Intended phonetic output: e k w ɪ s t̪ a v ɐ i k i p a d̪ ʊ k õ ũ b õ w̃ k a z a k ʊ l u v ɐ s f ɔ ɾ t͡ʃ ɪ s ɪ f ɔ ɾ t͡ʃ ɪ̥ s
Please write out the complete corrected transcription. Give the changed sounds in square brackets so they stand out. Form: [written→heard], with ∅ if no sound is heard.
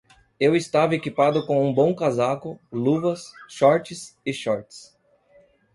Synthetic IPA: e [k→∅] w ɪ s t̪ a v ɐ [i→e] k i p a d̪ ʊ k õ ũ b õ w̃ k a z a k ʊ l u v ɐ s [f→ʃ] ɔ ɾ t͡ʃ ɪ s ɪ [f→ʃ] ɔ ɾ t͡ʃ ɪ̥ s